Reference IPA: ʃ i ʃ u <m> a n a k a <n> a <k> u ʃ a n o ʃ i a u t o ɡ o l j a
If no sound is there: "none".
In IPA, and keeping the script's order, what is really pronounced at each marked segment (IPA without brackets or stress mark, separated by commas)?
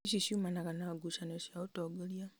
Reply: m, n, ɡ